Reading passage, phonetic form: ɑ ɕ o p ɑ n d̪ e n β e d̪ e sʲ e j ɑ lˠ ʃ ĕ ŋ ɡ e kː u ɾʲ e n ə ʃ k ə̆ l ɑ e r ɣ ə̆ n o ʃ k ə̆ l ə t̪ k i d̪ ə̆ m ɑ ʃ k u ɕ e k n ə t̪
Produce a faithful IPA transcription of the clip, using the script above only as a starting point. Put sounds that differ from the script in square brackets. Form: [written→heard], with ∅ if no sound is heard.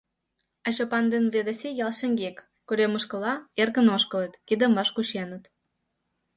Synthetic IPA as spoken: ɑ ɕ o p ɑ n d̪ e n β e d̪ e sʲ e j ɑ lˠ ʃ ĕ ŋ ɡ e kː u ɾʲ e [n→m] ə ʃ k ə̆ l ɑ e r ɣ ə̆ n o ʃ k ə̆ l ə t̪ k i d̪ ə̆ m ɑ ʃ k u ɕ e [k→∅] n ə t̪